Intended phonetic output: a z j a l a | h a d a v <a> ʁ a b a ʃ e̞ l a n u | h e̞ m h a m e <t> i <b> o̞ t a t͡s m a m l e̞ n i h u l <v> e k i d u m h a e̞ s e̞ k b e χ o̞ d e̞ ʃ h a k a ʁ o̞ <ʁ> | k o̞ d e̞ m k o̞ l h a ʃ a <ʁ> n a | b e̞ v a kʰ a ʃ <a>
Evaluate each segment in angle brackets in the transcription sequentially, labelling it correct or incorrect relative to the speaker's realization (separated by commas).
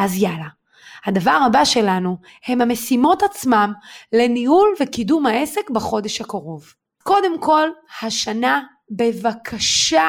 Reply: correct, incorrect, incorrect, correct, incorrect, incorrect, correct